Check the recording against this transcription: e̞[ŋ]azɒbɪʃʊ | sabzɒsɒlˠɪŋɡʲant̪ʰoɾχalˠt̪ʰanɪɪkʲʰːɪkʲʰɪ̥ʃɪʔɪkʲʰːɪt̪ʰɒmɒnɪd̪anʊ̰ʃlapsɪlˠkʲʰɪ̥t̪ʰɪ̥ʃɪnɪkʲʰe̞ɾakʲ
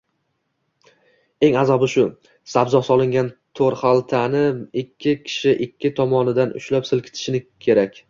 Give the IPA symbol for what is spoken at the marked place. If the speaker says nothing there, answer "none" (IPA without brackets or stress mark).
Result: ŋ